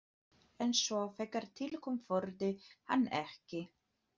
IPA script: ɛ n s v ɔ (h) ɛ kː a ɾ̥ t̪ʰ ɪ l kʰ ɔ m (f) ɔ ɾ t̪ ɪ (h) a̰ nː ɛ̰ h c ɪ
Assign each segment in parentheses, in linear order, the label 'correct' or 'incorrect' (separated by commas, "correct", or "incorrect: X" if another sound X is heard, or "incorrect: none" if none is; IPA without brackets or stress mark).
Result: incorrect: f, correct, correct